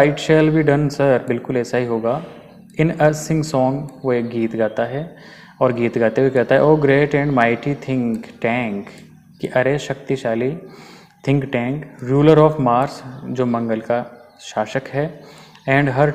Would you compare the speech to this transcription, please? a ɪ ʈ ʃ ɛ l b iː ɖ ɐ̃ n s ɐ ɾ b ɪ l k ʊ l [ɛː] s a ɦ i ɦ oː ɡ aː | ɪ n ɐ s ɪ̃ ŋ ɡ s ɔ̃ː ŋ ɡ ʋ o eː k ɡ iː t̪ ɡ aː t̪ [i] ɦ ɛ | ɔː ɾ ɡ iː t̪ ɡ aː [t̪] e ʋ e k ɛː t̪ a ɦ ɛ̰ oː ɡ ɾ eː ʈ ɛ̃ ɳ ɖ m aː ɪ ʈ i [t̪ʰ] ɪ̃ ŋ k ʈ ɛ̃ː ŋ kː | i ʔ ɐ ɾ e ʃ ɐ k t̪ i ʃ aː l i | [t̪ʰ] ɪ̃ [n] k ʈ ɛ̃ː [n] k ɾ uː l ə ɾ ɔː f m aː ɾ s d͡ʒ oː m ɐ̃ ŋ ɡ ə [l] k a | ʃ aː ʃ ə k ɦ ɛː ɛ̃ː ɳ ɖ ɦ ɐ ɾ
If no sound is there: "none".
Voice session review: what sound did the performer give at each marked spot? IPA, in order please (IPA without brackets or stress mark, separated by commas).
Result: ɛː, a, t̪, t̪ʰ, t̪ʰ, ŋ, ŋ, l